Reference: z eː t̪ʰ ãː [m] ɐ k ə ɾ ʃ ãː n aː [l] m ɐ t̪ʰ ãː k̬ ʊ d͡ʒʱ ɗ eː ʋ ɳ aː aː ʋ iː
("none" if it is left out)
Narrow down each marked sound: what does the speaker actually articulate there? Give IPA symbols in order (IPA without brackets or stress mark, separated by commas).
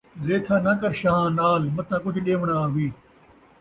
n, l